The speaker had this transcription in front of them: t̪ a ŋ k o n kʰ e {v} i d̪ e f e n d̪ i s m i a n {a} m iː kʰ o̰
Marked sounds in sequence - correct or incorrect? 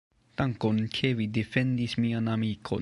correct, correct

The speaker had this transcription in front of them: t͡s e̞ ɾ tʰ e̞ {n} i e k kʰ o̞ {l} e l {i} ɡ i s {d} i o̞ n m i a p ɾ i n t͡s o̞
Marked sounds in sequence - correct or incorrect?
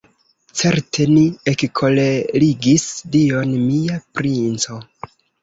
correct, correct, correct, correct

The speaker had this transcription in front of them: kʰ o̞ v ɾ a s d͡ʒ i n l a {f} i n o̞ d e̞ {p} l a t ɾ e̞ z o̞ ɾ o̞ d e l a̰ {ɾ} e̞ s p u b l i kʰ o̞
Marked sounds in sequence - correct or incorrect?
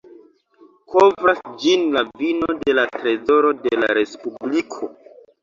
incorrect: v, incorrect: none, correct

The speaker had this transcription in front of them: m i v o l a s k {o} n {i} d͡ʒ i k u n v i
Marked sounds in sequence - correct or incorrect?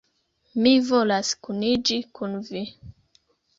incorrect: u, correct

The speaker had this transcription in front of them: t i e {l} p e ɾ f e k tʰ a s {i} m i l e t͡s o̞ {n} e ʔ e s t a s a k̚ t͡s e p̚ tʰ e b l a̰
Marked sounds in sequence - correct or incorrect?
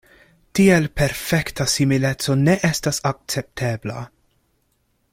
correct, correct, correct

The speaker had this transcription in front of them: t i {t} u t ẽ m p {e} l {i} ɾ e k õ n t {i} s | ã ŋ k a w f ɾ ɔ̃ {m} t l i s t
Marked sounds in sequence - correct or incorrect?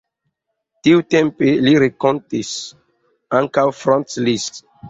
incorrect: none, correct, correct, correct, incorrect: n

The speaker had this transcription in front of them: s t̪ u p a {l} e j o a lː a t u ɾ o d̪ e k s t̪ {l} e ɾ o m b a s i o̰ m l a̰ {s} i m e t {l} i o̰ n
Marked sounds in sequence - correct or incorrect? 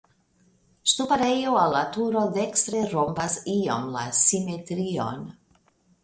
incorrect: ɾ, incorrect: ɾ, correct, incorrect: ɾ

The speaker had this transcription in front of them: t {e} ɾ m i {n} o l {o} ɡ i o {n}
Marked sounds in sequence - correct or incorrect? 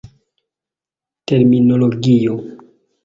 correct, correct, correct, incorrect: none

